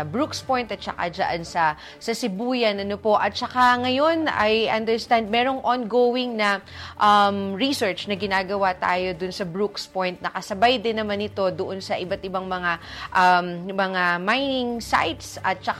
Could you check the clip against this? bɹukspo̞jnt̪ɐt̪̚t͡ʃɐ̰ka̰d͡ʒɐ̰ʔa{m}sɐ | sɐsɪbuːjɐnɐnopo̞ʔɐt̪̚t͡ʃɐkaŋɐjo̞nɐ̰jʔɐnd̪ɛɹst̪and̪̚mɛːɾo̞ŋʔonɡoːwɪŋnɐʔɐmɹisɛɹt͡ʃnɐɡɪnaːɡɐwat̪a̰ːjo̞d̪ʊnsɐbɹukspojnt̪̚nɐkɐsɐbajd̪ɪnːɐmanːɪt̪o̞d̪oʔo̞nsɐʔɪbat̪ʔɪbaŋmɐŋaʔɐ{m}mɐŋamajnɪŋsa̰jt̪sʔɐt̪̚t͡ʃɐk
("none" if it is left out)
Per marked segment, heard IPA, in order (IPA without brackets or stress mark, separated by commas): n, m